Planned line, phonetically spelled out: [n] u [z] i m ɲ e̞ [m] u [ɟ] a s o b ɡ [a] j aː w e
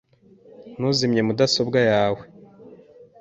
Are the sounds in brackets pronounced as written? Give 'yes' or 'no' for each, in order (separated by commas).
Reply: yes, yes, yes, no, yes